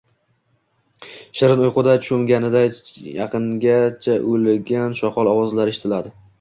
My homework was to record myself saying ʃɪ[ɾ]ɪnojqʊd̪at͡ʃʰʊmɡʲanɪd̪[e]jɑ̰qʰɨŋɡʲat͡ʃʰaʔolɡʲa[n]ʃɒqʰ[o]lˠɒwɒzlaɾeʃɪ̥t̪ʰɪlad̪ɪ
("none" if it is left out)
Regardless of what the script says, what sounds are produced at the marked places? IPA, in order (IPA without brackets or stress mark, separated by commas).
ɾ, a, n, ɒ